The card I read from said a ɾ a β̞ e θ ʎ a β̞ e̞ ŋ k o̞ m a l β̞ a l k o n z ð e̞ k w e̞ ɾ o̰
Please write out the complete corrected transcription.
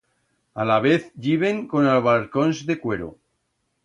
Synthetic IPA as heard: a l a β̞ e θ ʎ i β̞ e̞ ŋ k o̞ n a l β̞ a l k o n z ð e̞ k w e̞ ɾ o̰